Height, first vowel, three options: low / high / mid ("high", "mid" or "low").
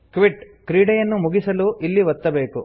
high